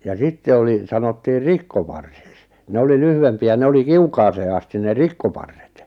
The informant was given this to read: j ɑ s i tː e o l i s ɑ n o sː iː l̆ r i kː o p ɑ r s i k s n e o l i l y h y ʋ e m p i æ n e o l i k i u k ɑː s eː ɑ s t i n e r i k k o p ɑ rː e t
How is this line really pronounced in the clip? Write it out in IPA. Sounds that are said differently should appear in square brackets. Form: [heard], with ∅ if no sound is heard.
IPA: j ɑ s i tː e o l i s ɑ n o [tː] iː [r̆] r i kː o p ɑ r s i k s n e o l i l y h y ʋ e m p i æ n e o l i k i u k ɑː s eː ɑ s t i n e r i k k o p ɑ rː e t